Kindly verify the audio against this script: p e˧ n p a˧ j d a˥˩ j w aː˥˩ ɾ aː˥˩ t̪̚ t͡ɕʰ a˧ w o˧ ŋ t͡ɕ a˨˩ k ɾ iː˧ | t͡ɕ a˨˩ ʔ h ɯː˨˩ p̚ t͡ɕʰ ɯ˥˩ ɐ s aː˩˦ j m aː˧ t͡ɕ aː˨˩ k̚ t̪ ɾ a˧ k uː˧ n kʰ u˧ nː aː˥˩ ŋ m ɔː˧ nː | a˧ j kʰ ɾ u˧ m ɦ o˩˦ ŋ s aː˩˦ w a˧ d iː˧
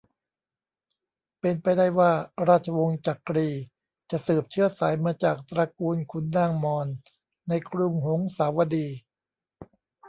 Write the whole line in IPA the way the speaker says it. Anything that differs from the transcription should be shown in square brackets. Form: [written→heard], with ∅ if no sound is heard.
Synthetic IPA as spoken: p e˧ n p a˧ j d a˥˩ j w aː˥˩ ɾ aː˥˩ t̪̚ t͡ɕʰ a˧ w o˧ ŋ t͡ɕ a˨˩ k ɾ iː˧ | t͡ɕ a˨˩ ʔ [h→s] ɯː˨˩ p̚ t͡ɕʰ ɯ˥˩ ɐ s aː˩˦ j m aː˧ t͡ɕ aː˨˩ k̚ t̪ ɾ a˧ k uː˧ n kʰ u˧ nː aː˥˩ ŋ m ɔː˧ nː | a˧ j kʰ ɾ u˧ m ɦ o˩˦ ŋ s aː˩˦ w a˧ d iː˧